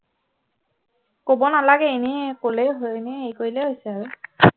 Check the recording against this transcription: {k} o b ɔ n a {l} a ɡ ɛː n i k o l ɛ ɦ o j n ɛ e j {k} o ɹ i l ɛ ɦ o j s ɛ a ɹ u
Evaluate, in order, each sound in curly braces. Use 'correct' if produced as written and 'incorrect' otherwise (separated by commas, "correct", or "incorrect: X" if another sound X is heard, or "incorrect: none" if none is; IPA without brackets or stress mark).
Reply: correct, correct, correct